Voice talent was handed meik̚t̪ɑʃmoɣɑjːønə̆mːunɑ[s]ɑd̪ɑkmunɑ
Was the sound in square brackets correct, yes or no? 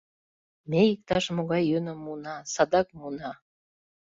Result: yes